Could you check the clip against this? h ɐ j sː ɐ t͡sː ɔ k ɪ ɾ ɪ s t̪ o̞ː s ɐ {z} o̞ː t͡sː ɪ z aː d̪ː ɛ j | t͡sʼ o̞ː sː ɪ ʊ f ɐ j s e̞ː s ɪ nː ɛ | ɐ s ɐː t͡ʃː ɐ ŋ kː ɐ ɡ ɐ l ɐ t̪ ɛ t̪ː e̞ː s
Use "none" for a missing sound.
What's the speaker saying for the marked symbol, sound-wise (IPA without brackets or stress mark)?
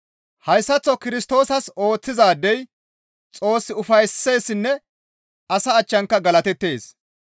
s